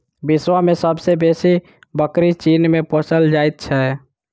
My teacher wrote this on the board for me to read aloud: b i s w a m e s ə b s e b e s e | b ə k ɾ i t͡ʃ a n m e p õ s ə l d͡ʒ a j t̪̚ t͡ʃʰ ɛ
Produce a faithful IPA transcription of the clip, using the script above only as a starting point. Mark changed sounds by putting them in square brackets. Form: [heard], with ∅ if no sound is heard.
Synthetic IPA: b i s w a m e s ə b s e b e s [i] | b ə k ɾ i t͡ʃ [i] n m e p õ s ə l d͡ʒ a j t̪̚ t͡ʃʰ ɛ